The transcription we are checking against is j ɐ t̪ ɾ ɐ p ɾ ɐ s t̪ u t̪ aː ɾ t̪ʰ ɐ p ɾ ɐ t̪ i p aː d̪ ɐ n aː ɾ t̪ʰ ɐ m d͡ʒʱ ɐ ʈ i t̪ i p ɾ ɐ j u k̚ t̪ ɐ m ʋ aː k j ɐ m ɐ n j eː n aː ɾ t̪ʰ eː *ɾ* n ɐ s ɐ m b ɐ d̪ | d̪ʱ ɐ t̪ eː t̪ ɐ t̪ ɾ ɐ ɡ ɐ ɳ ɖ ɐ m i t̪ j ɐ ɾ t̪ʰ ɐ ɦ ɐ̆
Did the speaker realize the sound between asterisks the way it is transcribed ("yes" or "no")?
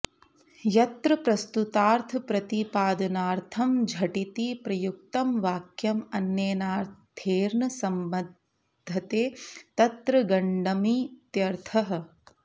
yes